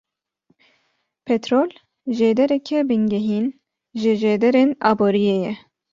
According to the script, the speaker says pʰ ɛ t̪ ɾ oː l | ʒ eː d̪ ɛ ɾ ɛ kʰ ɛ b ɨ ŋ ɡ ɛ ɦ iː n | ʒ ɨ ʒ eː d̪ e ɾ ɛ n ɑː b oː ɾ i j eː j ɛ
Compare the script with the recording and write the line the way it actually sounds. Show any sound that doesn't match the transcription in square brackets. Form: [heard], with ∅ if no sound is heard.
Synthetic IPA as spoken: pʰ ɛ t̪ ɾ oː l | ʒ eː d̪ ɛ ɾ ɛ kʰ ɛ b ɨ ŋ ɡ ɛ ɦ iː n | ʒ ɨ ʒ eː d̪ [ɛ] ɾ [e] n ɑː b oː ɾ i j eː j ɛ

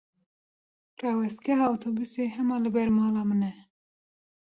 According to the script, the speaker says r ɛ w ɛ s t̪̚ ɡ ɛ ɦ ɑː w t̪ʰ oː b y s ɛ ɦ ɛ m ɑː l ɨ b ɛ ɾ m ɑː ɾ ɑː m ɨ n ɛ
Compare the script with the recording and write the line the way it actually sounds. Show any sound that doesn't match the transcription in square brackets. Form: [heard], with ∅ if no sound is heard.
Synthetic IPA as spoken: r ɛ w ɛ s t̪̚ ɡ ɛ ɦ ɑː w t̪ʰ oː b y s [e] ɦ ɛ m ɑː l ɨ b ɛ ɾ m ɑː [l] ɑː m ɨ n ɛ

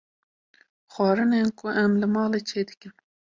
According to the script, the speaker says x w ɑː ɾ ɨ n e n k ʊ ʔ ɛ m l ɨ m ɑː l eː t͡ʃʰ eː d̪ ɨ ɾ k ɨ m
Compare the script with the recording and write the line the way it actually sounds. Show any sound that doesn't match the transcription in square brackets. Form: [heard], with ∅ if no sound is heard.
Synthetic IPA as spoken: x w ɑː ɾ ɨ n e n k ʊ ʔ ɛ m l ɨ m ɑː l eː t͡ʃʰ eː d̪ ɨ [∅] k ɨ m

